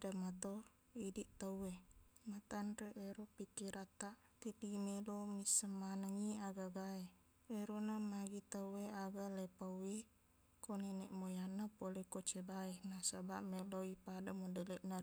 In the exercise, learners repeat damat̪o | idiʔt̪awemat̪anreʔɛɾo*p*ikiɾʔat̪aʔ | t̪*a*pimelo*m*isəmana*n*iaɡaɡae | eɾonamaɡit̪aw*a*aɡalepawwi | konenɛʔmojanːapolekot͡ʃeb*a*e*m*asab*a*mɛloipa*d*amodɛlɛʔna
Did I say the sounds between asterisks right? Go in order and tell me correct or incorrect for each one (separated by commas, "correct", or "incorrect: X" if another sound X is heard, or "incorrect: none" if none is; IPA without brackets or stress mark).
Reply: correct, incorrect: i, correct, incorrect: ŋ, incorrect: e, correct, incorrect: n, correct, correct